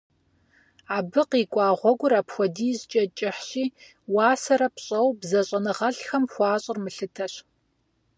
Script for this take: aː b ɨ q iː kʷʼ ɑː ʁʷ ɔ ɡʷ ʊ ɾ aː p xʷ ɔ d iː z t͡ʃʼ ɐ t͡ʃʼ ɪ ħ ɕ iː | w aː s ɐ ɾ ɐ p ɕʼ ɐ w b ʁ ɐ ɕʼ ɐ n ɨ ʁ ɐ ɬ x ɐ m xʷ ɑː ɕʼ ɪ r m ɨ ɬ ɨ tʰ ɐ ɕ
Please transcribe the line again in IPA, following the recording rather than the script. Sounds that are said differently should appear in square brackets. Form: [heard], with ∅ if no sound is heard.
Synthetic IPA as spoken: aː b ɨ q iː kʷʼ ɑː ʁʷ ɔ ɡʷ ʊ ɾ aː p xʷ ɔ d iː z t͡ʃʼ ɐ t͡ʃʼ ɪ ħ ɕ iː | w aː s ɐ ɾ ɐ p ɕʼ ɐ w b [z] ɐ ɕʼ ɐ n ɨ ʁ ɐ ɬ x ɐ m xʷ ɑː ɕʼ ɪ r m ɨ ɬ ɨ tʰ ɐ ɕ